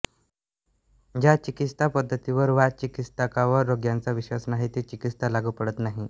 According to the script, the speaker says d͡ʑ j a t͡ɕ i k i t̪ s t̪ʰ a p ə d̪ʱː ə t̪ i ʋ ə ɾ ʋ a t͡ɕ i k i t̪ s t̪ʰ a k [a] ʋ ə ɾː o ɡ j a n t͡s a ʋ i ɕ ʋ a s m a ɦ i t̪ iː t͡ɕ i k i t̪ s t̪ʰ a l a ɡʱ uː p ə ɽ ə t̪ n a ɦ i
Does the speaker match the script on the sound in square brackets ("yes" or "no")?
yes